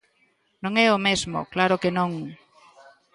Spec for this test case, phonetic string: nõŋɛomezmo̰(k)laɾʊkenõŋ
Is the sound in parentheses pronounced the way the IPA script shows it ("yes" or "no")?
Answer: yes